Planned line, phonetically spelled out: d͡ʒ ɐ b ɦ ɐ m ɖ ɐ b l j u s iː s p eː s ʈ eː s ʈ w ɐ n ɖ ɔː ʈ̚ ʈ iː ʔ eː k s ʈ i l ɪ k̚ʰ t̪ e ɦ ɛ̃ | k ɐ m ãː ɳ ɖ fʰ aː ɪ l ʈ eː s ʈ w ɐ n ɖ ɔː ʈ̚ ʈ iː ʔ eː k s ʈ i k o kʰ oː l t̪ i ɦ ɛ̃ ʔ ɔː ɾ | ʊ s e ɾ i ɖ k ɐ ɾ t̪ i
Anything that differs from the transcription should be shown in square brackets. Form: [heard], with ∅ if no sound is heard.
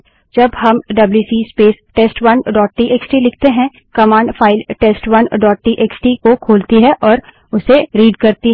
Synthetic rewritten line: d͡ʒ ɐ b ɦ ɐ m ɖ ɐ b l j u s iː s p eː s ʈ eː s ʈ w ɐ n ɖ ɔː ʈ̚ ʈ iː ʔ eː k s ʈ i l ɪ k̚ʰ t̪ e ɦ ɛ̃ | k ɐ m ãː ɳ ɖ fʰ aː ɪ l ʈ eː s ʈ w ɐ n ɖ ɔː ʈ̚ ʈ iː ʔ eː k s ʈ i k o kʰ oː l t̪ i ɦ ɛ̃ ʔ ɔː ɾ | ʊ s e ɾ [iː] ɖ k ɐ ɾ t̪ i

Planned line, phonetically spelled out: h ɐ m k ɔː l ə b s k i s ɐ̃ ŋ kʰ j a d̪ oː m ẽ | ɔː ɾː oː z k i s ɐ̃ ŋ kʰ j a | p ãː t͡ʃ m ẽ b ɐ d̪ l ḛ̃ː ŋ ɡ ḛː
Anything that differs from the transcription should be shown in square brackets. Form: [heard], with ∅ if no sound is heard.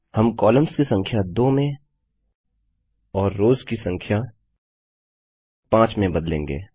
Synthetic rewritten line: h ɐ m k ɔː l ə [m] s k i s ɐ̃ ŋ kʰ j a d̪ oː m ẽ | ɔː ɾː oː z k i s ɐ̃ ŋ kʰ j a | p ãː t͡ʃ m ẽ b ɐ d̪ l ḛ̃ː ŋ ɡ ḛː

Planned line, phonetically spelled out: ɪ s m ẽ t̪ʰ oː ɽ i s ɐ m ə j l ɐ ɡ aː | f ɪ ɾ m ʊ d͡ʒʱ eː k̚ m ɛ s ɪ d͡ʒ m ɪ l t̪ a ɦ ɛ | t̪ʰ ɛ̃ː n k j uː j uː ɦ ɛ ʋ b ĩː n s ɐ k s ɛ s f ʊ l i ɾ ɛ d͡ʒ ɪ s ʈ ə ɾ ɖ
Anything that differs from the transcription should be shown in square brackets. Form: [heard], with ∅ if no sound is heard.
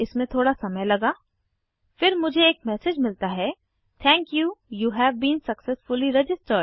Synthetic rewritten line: ɪ s m ẽ t̪ʰ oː ɽ [a] s ɐ m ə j l ɐ ɡ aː | f ɪ ɾ m ʊ d͡ʒʱ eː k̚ m ɛ s ɪ d͡ʒ m ɪ l t̪ a ɦ ɛ | t̪ʰ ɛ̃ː [ŋ] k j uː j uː ɦ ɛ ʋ b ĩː n s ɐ k s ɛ s f ʊ l i ɾ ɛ d͡ʒ ɪ s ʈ ə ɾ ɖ

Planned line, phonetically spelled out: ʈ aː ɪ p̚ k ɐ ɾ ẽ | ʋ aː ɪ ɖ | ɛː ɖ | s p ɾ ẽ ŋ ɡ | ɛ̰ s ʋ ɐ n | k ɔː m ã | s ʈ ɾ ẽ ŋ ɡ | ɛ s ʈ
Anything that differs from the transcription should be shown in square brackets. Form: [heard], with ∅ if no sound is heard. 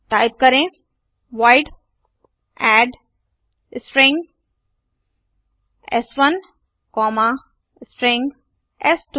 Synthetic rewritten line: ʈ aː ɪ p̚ k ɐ ɾ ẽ | ʋ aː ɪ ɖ | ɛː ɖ | s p ɾ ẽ ŋ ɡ | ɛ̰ s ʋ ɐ n | k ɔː m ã | s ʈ ɾ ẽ ŋ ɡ | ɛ s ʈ

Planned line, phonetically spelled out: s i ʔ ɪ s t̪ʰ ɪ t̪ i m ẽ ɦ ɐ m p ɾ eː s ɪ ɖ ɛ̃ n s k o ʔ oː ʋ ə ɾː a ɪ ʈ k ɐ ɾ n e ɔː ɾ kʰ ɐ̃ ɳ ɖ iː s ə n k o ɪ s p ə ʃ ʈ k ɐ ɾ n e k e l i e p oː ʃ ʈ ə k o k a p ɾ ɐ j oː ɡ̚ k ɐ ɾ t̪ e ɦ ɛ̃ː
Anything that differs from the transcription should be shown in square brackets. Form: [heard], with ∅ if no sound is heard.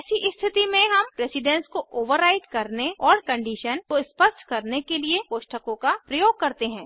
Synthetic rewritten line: s i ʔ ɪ s t̪ʰ ɪ t̪ i m ẽ ɦ ɐ m p ɾ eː s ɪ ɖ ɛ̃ n s k o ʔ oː ʋ ə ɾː a ɪ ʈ k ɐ ɾ n e ɔː ɾ [k] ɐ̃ ɳ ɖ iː [ʃ] ə n k o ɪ s p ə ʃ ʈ k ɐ ɾ n e k e l i e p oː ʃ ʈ ə k [õ] k a p ɾ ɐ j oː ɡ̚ k ɐ ɾ t̪ e ɦ ɛ̃ː

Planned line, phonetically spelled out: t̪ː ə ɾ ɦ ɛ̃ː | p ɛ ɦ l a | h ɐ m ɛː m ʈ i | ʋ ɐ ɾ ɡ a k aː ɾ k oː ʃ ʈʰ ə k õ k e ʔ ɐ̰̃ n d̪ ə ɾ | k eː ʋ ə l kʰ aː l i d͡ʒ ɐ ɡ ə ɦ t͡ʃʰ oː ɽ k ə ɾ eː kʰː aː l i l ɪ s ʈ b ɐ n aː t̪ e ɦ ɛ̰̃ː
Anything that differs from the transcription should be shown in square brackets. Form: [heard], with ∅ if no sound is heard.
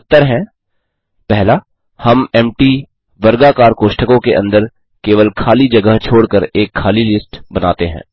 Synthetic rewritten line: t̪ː ə ɾ ɦ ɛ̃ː | p ɛ ɦ l a | h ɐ m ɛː m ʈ i | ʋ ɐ ɾ ɡ a k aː ɾ k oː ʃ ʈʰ ə k õ k e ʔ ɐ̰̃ n d̪ ə ɾ | k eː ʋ ə l kʰ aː l i d͡ʒ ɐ ɡ ə ɦ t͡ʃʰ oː ɽ k ə ɾ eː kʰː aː l i l ɪ s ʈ b ɐ n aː t̪ e ɦ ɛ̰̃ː

